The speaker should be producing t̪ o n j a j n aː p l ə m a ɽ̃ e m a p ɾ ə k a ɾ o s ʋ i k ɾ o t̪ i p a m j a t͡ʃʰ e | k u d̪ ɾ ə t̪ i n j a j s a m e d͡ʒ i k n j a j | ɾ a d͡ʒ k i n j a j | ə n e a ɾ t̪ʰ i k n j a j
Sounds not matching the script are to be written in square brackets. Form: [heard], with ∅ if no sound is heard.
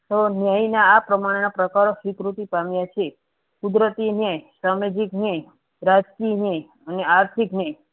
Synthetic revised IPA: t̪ o n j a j n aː p [ɾ] ə m a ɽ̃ e [n] a p ɾ ə k a ɾ o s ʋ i k ɾ [u] t̪ i p a m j a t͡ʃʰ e | k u d̪ ɾ ə t̪ i n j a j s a m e d͡ʒ i k n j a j | ɾ a d͡ʒ k i n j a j | ə n e a ɾ t̪ʰ i k n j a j